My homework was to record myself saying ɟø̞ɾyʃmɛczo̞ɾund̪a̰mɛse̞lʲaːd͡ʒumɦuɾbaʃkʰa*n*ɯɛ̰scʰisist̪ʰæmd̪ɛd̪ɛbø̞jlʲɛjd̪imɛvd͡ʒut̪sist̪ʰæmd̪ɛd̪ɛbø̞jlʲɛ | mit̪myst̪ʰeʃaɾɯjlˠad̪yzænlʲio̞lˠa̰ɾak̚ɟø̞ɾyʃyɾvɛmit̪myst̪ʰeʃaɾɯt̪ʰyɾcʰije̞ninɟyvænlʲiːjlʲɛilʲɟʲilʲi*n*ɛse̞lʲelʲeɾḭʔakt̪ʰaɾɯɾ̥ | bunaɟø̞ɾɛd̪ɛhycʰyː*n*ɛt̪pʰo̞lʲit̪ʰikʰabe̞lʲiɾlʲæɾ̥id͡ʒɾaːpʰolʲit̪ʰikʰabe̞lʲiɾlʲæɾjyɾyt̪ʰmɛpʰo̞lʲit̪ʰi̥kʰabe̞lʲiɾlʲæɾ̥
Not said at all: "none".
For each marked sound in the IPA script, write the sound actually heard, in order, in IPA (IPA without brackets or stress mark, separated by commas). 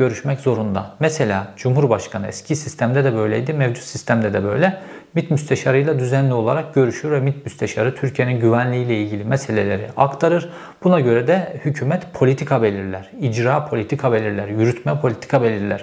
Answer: n, m, m